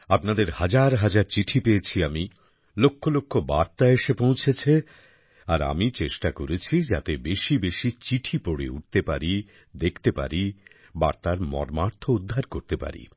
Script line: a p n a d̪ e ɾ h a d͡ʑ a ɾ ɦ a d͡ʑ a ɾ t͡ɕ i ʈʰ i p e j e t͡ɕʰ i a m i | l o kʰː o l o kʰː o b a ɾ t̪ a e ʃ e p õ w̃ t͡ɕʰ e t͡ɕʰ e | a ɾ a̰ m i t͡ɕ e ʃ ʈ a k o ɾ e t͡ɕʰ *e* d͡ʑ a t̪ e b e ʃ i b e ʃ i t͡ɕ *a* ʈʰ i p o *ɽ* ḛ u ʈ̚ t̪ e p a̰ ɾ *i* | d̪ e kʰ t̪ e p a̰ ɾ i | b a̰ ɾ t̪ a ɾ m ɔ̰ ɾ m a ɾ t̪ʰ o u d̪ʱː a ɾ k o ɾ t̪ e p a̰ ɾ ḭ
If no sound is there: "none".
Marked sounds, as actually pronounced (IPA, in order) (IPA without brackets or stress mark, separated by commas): i, i, ɽ, i